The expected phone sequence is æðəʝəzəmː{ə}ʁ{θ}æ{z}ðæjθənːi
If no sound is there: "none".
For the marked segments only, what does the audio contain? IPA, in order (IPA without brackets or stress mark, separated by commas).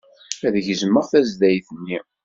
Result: ə, θ, z